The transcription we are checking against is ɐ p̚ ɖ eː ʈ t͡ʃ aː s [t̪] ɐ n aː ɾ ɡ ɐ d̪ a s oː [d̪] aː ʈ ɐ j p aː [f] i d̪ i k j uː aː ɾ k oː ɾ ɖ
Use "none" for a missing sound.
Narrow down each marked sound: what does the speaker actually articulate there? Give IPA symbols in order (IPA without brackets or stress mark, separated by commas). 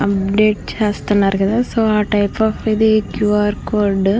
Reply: t̪, none, f